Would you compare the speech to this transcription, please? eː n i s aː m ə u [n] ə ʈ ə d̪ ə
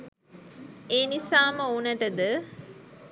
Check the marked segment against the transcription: correct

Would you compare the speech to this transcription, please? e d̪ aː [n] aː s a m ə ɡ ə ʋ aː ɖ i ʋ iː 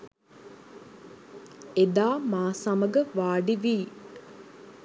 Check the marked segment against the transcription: incorrect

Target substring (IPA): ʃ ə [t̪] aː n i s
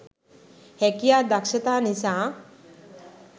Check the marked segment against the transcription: correct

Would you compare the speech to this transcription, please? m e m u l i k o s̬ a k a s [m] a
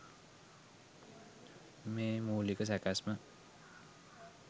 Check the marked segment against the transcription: correct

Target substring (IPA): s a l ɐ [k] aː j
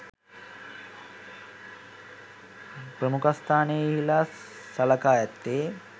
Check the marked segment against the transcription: correct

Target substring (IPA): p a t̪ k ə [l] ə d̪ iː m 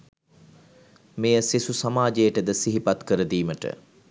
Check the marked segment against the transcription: incorrect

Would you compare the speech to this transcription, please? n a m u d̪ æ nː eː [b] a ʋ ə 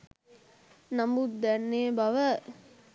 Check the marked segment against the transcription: correct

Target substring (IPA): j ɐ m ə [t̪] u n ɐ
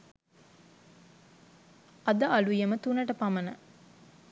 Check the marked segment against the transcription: correct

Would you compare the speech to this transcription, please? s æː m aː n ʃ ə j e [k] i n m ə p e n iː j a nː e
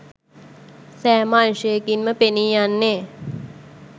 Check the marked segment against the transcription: correct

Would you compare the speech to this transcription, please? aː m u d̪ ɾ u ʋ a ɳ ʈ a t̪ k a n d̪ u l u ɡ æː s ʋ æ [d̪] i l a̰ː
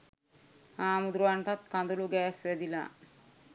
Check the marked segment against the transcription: correct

